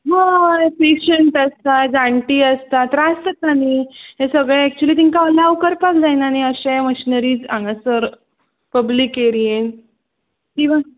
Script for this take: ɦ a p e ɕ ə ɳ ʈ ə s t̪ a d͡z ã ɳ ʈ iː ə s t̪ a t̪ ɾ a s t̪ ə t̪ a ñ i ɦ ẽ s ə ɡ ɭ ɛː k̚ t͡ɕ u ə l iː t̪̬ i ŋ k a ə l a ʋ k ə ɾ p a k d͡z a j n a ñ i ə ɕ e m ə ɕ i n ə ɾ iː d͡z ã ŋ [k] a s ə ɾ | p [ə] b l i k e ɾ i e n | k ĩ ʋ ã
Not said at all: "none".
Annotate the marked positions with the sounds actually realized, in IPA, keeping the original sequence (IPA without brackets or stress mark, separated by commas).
ɡ, ə